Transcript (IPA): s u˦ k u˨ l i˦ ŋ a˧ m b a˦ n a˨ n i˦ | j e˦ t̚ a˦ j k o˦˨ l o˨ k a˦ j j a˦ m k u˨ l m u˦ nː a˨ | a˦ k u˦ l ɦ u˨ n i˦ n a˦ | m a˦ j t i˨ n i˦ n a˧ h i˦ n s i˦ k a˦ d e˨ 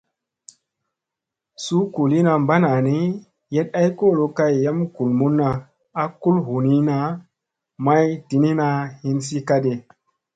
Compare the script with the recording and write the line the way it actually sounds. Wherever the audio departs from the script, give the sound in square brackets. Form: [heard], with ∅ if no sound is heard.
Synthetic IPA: s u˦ k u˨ l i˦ [n] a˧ m b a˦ n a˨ n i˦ | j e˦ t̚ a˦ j k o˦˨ l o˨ k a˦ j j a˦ m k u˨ l m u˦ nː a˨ | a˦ k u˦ l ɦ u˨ n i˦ n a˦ | m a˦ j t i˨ n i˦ n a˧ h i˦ n s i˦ k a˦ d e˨